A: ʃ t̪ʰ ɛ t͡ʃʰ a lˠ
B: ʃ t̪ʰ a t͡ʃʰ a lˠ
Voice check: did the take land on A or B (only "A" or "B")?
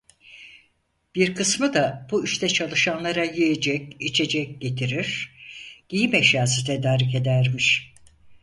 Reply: A